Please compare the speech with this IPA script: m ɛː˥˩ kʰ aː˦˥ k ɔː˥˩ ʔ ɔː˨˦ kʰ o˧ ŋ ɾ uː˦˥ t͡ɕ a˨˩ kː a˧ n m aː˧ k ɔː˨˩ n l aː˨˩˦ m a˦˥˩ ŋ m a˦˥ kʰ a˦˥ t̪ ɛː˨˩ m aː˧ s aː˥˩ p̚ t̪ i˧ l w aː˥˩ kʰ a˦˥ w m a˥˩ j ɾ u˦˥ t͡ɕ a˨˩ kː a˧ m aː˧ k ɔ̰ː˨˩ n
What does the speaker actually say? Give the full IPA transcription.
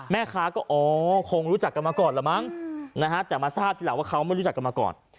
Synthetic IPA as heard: m ɛː˥˩ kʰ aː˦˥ k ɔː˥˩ ʔ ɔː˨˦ kʰ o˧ ŋ ɾ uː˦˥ t͡ɕ a˨˩ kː a˧ n m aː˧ k ɔː˨˩ n l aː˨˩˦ m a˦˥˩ ŋ n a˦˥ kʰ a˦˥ t̪ ɛː˨˩ m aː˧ s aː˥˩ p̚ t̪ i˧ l w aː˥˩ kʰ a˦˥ w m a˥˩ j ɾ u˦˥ t͡ɕ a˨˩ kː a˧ m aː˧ k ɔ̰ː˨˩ n

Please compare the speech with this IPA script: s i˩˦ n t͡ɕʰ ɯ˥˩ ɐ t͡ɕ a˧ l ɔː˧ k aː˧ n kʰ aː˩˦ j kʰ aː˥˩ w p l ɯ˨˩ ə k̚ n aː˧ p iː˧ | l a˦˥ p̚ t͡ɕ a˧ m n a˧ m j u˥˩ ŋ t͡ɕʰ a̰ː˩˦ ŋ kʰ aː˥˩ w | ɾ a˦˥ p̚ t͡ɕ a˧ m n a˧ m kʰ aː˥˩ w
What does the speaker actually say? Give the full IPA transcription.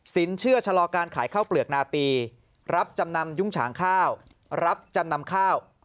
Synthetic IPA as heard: s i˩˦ n t͡ɕʰ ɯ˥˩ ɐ t͡ɕʰ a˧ l ɔː˧ k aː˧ n kʰ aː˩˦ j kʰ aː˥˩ w p l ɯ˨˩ ə k̚ n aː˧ p iː˧ | ɾ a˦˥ p̚ t͡ɕ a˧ m n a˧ m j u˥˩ ŋ t͡ɕʰ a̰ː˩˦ ŋ kʰ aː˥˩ w | ɾ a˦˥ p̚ t͡ɕ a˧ m n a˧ m kʰ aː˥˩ w

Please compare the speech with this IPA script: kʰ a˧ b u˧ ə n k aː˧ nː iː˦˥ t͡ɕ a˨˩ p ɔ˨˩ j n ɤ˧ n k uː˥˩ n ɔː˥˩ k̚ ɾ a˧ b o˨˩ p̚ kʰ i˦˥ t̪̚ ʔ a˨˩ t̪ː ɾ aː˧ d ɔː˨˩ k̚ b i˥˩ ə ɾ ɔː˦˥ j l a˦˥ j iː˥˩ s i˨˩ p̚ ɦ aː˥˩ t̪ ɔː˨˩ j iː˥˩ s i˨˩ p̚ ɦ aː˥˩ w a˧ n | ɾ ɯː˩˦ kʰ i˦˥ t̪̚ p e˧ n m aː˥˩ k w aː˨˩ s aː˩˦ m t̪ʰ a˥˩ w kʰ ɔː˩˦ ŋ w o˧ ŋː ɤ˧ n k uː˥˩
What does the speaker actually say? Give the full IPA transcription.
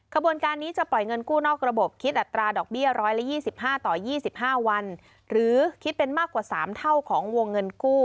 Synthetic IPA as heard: kʰ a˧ b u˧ ə n k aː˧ nː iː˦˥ t͡ɕ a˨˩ p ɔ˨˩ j ŋ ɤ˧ n k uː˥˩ n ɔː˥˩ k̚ ɾ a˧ b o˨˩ p̚ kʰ i˦˥ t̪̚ ʔ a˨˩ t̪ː ɾ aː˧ d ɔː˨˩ k̚ b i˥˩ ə ɾ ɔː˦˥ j l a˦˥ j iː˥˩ s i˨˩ p̚ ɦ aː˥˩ t̪ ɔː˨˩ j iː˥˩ s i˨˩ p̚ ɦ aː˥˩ w a˧ n | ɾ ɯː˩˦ kʰ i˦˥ t̪̚ p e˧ n m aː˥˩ k w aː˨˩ s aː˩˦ m t̪ʰ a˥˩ w kʰ ɔː˩˦ ŋ w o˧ ŋː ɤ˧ n k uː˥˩

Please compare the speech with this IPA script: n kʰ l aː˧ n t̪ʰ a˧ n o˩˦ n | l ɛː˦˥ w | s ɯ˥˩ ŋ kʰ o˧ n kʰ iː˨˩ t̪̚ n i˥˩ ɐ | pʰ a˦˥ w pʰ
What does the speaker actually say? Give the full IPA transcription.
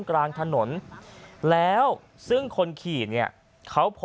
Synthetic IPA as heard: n k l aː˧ ŋ t̪ʰ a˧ n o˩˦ n | l ɛː˦˥ w | s ɯ˥˩ ŋ kʰ o˧ n kʰ iː˨˩ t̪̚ n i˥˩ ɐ | kʰ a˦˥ w pʰ

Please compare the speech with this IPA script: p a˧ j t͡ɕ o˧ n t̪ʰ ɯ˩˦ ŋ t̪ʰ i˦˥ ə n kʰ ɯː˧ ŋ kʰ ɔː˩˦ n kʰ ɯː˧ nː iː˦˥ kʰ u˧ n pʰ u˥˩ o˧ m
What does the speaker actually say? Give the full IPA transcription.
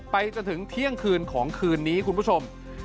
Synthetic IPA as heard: p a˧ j t͡ɕ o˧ n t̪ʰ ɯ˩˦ ŋ t̪ʰ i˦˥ ə ŋ kʰ ɯː˧ n kʰ ɔː˩˦ ŋ kʰ ɯː˧ nː iː˦˥ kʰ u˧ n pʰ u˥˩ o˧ m

